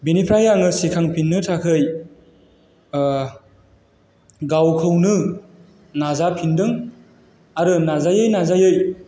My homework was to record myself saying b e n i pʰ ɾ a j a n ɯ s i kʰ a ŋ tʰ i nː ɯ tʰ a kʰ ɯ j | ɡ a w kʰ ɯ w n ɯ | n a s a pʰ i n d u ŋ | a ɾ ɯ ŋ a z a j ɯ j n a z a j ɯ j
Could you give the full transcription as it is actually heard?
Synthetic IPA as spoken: b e n i pʰ ɾ a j a ŋ ɯ s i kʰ a ŋ pʰ i nː ɯ tʰ a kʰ ɯ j | ɡ a w kʰ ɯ w n ɯ | n a z a pʰ i n d ɯ ŋ | a ɾ ɯ n a z a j ɯ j n a z a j ɯ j